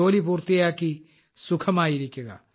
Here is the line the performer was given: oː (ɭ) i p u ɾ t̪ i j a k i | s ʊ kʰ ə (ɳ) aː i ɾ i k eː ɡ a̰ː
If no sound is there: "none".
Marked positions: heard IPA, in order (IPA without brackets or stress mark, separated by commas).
l, m